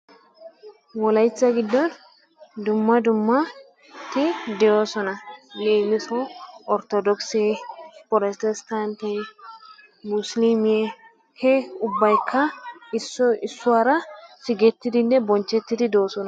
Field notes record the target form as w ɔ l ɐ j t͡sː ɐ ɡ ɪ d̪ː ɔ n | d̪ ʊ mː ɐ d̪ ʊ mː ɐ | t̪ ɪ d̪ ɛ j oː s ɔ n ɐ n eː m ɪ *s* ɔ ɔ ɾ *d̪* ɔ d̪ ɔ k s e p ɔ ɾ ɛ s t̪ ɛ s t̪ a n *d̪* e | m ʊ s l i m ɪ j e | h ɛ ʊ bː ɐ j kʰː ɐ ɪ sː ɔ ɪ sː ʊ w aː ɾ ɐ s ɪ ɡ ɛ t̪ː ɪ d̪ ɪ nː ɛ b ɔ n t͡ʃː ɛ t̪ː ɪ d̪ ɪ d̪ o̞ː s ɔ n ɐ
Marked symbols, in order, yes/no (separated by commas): yes, no, no